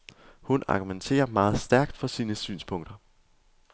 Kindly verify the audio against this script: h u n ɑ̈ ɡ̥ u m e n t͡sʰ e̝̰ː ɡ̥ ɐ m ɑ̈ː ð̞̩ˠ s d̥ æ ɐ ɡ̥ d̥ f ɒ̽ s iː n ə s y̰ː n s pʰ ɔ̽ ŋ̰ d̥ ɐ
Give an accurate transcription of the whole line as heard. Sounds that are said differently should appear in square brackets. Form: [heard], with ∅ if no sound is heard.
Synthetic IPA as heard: h u n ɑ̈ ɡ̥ u m e n t͡sʰ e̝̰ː [∅] ɐ m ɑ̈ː ð̞̩ˠ s d̥ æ ɐ ɡ̥ d̥ f ɒ̽ s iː n ə s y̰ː n s pʰ ɔ̽ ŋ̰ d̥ ɐ

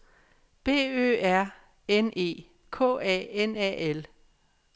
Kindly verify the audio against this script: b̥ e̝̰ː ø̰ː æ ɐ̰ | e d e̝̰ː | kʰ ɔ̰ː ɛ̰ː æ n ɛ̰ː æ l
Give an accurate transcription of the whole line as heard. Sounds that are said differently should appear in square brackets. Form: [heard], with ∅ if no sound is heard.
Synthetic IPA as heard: b̥ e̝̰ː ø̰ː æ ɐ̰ | e [n] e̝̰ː | kʰ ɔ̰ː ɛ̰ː [e] n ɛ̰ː [e] l

